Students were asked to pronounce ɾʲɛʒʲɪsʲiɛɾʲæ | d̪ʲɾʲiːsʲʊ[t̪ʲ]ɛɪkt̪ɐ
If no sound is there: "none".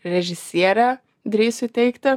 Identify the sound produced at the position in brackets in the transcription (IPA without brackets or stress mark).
t̪ʲ